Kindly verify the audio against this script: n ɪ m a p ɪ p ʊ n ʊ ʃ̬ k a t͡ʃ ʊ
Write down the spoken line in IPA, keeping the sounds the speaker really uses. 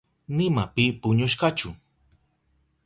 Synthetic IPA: n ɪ m a p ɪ p ʊ ɲ ʊ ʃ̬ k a t͡ʃ ʊ